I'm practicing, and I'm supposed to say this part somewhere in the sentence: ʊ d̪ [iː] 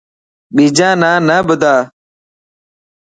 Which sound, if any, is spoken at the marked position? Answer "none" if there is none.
aː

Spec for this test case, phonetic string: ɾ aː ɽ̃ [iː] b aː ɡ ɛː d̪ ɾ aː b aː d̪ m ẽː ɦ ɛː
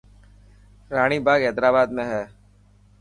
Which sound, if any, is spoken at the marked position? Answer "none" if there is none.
iː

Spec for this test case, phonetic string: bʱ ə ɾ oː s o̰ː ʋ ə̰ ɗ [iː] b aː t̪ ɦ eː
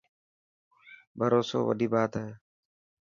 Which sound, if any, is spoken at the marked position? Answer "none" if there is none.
iː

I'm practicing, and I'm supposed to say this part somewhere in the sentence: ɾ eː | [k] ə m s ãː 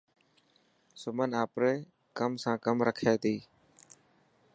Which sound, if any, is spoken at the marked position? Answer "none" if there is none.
k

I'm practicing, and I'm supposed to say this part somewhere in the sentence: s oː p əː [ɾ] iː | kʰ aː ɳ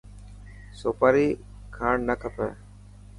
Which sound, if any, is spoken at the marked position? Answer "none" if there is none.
ɾ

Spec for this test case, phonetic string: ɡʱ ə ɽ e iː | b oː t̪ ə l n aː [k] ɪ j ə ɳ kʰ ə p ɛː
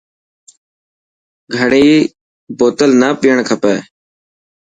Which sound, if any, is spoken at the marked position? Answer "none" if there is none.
p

